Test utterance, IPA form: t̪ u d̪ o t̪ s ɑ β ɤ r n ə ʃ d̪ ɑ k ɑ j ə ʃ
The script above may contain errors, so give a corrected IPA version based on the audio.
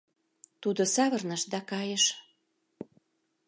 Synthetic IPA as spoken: t̪ u d̪ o s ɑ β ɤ r n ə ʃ d̪ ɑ k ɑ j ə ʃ

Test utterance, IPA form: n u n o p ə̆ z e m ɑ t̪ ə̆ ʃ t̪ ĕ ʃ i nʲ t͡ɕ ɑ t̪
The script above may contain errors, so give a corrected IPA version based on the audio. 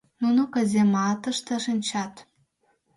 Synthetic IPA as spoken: n u n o k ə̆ z e m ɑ t̪ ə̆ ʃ t̪ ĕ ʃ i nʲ t͡ɕ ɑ t̪

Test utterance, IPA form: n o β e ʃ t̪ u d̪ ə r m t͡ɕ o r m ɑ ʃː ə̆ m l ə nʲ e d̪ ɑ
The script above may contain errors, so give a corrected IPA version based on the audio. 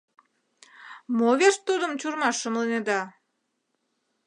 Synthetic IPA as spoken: m o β e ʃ t̪ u d̪ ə m t͡ɕ u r m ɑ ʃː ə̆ m l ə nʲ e d̪ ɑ

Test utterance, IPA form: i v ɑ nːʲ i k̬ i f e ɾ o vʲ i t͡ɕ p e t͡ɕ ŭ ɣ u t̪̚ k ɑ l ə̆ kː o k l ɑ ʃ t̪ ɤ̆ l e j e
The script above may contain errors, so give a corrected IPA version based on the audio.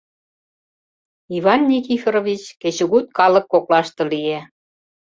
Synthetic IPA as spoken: i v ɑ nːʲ i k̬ i f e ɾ o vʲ i t͡ɕ k e t͡ɕ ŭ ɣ u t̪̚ k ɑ l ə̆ kː o k l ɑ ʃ t̪ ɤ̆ l i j e

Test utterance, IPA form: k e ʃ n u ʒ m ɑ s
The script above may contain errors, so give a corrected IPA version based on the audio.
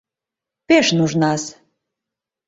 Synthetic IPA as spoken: p e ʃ n u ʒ n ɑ s

